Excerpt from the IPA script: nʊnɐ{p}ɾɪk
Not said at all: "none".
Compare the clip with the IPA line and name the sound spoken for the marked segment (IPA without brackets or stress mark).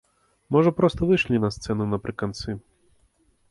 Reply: p